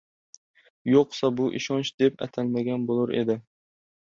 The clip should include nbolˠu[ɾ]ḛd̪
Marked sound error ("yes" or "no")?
no